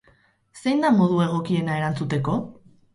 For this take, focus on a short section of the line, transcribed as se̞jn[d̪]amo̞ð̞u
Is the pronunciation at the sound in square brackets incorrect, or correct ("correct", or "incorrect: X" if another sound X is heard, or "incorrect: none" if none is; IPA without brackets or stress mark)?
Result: correct